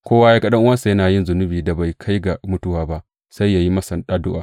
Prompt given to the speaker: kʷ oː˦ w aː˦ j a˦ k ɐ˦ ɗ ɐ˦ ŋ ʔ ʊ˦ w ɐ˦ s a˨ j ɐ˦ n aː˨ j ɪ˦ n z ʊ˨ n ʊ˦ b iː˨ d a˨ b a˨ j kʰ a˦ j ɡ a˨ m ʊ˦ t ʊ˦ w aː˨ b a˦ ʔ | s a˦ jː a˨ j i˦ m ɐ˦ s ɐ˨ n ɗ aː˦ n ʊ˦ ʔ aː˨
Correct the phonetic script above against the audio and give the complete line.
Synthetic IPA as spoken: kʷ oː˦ w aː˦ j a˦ k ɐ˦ ɗ ɐ˦ ŋ ʔ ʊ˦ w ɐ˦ s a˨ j ɐ˦ n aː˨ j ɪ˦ n z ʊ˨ n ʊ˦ b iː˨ d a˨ b a˨ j kʰ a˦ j ɡ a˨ m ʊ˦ t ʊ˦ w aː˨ b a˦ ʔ | s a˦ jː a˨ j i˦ m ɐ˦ s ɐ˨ n ɗ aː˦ d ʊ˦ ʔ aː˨